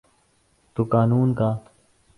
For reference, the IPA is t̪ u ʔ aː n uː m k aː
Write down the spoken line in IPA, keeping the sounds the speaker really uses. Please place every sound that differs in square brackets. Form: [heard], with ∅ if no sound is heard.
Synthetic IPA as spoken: t̪ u [k] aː n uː [n] k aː

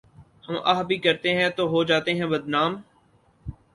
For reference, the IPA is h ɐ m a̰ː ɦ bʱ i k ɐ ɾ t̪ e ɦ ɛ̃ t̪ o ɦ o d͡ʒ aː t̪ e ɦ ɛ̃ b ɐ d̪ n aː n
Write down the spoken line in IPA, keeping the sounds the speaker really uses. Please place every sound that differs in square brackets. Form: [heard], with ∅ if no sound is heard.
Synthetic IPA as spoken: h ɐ m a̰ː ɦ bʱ i k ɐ ɾ t̪ e ɦ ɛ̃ t̪ o ɦ o d͡ʒ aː t̪ e ɦ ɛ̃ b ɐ d̪ n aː [m]

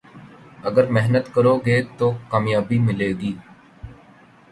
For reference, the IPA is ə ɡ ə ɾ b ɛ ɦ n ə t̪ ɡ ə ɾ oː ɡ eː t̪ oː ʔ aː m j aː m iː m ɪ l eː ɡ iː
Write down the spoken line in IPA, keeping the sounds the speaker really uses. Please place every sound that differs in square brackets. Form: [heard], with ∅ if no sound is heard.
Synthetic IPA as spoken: ə ɡ ə ɾ [m] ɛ ɦ n ə t̪ [k] ə ɾ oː ɡ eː t̪ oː [k] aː m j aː [b] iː m ɪ l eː ɡ iː

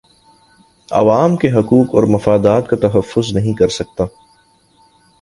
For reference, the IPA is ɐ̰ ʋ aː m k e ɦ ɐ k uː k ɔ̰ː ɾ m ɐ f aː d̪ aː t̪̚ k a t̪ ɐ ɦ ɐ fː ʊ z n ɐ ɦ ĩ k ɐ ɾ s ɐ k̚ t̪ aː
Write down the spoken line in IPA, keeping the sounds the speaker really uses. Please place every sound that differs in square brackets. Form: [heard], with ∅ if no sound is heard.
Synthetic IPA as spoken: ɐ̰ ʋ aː m k e ɦ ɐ k uː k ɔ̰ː ɾ m ɐ f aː d̪ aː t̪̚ k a t̪ ɐ ɦ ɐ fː ʊ z n ɐ ɦ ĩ k ɐ ɾ s ɐ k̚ t̪ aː

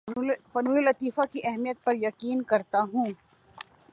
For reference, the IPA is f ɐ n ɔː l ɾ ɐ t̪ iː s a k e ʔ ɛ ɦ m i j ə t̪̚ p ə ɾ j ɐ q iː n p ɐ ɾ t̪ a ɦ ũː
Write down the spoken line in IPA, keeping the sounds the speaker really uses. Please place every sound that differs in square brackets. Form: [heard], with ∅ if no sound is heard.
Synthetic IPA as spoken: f ɐ n [uː] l [l] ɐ t̪ iː [f] a k [i] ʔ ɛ ɦ m i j ə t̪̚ p [ɐ] ɾ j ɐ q iː n [k] ɐ ɾ t̪ a ɦ ũː

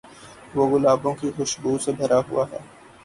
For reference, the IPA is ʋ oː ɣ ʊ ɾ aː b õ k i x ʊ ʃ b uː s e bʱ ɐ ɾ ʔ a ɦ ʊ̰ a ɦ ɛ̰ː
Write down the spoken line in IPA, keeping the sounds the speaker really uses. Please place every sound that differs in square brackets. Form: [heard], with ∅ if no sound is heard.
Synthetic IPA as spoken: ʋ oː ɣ ʊ [l] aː b õ k i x ʊ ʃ b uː s e bʱ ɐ ɾ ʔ a ɦ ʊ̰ a ɦ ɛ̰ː

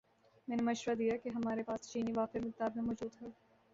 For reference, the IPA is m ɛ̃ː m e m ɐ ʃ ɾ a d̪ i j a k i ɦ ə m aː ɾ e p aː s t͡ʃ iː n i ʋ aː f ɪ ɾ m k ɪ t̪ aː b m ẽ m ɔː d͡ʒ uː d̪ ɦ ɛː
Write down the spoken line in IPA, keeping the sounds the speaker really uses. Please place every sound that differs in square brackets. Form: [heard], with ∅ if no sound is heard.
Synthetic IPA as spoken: m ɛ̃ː [n] e m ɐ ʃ ɾ a d̪ i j a k [e] ɦ [ɐ] m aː ɾ e p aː s t͡ʃ iː n i ʋ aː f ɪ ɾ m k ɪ t̪ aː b m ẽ m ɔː d͡ʒ uː d̪ ɦ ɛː

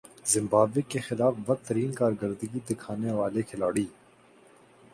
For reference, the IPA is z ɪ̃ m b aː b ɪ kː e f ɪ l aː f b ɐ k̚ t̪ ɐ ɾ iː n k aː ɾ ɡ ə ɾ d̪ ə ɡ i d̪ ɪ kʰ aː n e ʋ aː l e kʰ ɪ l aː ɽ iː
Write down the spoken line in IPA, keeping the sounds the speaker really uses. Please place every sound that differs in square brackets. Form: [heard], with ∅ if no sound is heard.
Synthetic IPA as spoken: z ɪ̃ m b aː b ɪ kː e [x] ɪ l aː f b ɐ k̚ t̪ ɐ ɾ iː n k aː ɾ ɡ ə ɾ d̪ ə ɡ i d̪ ɪ kʰ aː n e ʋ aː l e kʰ ɪ l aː ɽ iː

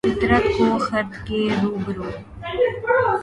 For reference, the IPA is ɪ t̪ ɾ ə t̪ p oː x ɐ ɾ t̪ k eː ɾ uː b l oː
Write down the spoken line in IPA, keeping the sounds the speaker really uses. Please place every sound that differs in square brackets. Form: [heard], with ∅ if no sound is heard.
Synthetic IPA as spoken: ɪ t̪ ɾ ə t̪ [k] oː x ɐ ɾ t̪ k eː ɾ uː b [ɾ] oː

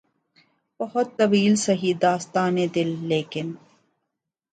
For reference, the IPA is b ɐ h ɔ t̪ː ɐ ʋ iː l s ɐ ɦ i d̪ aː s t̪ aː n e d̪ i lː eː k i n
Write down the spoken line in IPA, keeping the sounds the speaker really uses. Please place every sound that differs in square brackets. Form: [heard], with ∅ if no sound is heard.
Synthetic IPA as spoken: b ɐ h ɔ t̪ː ɐ ʋ iː l s ɐ ɦ i d̪ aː s t̪ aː n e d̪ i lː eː k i n

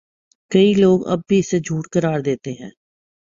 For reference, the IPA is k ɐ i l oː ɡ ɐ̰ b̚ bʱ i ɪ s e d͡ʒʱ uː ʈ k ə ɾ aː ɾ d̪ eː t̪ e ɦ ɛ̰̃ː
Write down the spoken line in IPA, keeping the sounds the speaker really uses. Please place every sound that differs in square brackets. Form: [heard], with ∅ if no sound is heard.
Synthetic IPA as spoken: k ɐ i l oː ɡ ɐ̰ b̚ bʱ i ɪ s e d͡ʒʱ uː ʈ k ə ɾ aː ɾ d̪ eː t̪ e ɦ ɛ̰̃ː

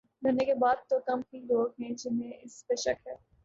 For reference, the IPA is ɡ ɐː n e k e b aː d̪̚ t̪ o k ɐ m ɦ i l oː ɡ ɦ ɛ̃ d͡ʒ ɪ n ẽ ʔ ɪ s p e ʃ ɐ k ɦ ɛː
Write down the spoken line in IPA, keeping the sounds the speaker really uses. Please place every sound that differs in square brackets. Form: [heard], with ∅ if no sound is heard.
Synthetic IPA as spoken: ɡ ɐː n e k e b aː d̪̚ t̪ o k ɐ m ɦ i l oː ɡ ɦ ɛ̃ d͡ʒ ɪ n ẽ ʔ ɪ s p e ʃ ɐ k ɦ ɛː

